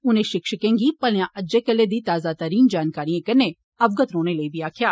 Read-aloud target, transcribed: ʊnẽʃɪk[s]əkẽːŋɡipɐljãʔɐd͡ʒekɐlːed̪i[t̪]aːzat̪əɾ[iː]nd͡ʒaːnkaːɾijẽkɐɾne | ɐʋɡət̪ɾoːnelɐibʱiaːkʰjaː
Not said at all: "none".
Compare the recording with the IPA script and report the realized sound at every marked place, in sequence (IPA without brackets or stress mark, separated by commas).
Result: ʃ, t̪, iː